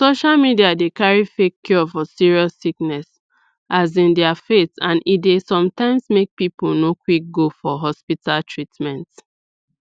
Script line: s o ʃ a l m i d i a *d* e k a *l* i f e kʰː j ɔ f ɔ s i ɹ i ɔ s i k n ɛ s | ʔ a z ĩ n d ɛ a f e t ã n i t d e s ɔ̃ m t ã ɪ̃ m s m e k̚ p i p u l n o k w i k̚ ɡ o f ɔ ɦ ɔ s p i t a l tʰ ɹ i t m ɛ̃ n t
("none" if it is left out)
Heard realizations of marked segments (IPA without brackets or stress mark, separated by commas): d, ɹ